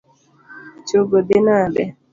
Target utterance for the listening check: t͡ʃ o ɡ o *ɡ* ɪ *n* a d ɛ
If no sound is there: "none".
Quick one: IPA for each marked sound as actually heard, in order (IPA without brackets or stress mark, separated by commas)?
d, n